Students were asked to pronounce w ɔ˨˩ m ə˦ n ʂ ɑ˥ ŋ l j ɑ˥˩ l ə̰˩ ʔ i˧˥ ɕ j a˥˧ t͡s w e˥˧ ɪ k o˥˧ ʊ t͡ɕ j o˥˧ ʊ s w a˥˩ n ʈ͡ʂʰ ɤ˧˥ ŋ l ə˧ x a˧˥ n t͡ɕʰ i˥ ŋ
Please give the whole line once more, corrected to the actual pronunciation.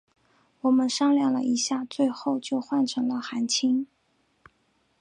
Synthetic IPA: w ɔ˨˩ m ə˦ n ʂ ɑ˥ ŋ l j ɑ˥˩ l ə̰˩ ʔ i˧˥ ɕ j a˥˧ t͡s w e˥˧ ɪ x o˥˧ ʊ t͡ɕ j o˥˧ ʊ x w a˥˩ n ʈ͡ʂʰ ɤ˧˥ ŋ l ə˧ x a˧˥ n t͡ɕʰ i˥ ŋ